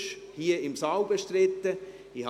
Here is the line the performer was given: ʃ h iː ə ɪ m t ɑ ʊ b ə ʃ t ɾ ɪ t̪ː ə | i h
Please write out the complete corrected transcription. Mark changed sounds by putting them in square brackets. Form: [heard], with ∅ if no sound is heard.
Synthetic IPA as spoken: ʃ h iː ə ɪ m [s] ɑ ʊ b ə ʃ t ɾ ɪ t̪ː ə | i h